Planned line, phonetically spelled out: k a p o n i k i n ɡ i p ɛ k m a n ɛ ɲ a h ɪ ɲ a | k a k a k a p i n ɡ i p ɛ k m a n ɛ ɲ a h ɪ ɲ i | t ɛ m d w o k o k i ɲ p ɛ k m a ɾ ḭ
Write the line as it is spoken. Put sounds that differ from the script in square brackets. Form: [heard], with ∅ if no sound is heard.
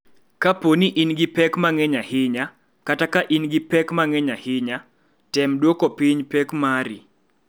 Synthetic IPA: k a p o n i [ʔ] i n ɡ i p ɛ k m a [ŋ] ɛ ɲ a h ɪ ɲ a | k a [t] a k a [ʔ] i n ɡ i p ɛ k m a [ŋ] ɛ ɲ a h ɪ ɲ [a] | t ɛ m d w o k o [p] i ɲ p ɛ k m a ɾ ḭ